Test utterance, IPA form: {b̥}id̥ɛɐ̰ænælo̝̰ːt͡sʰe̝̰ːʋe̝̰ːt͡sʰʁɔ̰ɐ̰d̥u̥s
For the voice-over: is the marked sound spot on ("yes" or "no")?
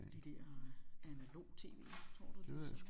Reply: no